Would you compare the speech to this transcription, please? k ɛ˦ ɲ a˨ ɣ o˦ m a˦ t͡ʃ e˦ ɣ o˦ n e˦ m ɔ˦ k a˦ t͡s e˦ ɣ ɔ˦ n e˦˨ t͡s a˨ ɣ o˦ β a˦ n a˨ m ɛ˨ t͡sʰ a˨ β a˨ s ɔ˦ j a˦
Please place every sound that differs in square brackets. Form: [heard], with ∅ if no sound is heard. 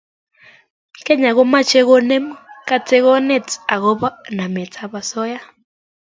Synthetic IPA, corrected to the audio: k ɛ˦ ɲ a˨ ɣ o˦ m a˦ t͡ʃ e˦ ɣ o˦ n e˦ m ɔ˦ k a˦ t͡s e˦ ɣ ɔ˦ n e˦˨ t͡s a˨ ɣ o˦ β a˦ n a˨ m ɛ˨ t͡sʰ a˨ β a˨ s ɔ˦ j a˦